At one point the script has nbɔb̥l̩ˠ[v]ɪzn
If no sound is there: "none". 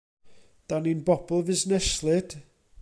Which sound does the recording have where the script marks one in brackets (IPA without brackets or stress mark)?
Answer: v